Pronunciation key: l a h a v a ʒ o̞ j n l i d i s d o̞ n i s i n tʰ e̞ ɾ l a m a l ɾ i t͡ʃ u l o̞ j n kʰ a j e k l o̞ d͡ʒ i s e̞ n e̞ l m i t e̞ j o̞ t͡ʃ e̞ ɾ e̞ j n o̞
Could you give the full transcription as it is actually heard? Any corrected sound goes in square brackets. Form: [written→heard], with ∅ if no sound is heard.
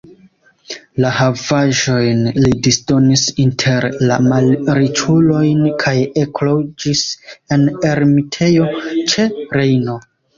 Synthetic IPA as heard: l a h a v a ʒ o̞ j n l i d i s d o̞ n i s i n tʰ e̞ ɾ l a m a l ɾ i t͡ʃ u l o̞ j n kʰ a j e k l o̞ d͡ʒ i s e̞ n e̞ [l→ɾ] m i [t→tʰ] e̞ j o̞ t͡ʃ e̞ ɾ e̞ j n o̞